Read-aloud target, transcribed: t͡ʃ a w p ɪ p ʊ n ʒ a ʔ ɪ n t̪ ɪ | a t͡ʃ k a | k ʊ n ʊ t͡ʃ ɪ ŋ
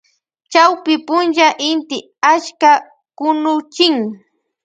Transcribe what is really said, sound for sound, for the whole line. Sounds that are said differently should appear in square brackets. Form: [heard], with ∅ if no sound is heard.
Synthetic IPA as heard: t͡ʃ a w p ɪ p ʊ n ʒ a ʔ ɪ n t̪ ɪ | a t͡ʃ k a | k ʊ n ʊ t͡ʃ ɪ ŋ